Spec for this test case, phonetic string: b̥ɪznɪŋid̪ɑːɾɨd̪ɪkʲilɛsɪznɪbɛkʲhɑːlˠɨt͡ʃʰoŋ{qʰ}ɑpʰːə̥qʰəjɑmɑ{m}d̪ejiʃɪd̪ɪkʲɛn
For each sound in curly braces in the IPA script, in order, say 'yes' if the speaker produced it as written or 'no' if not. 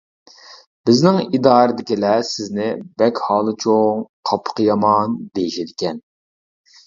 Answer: yes, no

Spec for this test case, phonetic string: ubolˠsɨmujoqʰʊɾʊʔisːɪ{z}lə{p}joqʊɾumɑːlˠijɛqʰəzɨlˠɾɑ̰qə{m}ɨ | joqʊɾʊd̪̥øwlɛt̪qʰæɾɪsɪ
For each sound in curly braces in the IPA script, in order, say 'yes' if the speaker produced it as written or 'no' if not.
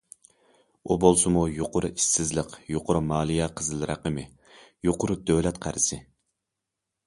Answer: yes, no, yes

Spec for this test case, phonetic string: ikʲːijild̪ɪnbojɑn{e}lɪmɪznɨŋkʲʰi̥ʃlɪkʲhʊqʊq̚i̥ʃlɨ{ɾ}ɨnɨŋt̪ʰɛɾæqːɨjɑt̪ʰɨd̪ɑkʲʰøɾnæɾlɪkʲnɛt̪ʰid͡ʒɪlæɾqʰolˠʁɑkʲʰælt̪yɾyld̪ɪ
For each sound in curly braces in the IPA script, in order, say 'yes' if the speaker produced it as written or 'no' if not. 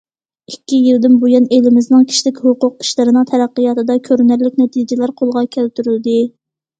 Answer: yes, yes

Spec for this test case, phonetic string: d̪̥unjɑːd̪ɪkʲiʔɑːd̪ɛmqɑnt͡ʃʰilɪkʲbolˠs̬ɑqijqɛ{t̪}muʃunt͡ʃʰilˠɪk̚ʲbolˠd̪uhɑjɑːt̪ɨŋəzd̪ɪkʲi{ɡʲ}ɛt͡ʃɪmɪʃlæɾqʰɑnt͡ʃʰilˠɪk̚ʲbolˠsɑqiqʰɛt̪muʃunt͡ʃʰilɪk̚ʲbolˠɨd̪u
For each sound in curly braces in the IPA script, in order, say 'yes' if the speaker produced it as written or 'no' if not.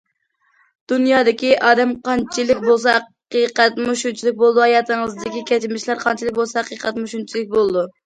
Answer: yes, no

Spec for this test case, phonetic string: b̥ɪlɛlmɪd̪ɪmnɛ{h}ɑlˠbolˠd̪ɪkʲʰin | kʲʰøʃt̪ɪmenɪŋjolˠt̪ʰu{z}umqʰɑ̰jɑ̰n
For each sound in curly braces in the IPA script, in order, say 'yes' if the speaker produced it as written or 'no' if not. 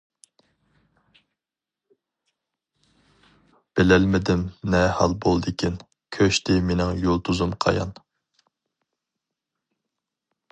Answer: yes, yes

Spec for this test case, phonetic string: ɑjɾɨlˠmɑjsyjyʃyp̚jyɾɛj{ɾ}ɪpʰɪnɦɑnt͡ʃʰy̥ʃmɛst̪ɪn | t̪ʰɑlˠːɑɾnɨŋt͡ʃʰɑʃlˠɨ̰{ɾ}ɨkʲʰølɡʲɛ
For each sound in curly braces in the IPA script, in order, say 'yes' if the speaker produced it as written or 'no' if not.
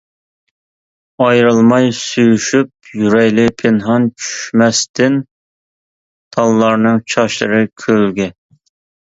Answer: no, yes

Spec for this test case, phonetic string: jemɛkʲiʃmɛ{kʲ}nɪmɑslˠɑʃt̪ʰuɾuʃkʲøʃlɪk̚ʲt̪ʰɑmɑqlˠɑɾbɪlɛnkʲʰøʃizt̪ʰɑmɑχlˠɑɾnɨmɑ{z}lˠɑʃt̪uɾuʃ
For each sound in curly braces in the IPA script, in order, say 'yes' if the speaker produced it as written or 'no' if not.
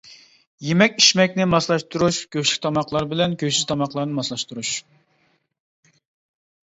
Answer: yes, no

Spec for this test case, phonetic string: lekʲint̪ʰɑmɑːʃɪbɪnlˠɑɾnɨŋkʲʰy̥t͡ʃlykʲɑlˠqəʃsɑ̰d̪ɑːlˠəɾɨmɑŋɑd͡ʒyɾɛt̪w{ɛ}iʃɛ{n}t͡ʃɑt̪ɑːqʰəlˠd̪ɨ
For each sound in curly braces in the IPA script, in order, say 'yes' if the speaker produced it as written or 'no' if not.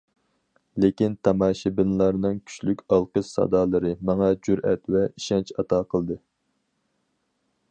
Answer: yes, yes

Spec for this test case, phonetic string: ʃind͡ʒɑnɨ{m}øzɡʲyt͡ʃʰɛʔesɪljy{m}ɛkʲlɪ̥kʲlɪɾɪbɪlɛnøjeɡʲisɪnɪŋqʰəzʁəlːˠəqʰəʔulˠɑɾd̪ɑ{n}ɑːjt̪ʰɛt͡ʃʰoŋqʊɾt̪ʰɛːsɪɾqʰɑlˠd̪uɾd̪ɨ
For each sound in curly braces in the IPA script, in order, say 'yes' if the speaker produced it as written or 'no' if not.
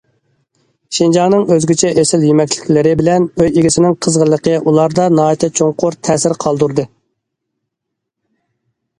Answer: no, yes, yes

